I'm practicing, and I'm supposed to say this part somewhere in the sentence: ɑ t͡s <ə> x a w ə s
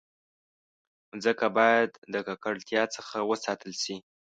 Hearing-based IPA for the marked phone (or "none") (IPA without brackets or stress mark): ə